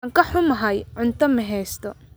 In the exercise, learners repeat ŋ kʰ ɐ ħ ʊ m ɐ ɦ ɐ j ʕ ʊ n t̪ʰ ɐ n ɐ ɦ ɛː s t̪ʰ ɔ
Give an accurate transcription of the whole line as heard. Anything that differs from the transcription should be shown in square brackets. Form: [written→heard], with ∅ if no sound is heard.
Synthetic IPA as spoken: ŋ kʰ ɐ ħ ʊ m ɐ ɦ ɐ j ʕ ʊ n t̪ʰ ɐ [n→m] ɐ ɦ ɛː s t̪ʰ ɔ